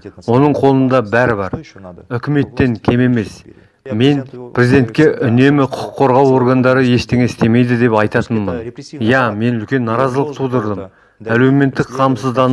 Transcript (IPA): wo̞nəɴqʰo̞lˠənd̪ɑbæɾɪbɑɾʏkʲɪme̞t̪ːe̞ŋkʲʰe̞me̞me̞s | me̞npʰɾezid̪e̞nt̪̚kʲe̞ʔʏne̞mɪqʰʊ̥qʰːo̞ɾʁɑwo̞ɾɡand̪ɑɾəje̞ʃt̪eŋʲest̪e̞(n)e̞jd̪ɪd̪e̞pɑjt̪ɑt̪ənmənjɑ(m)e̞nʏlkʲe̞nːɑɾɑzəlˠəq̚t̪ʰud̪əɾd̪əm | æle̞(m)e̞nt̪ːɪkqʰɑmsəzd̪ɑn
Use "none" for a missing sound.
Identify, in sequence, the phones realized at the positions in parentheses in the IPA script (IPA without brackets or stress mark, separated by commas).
m, m, m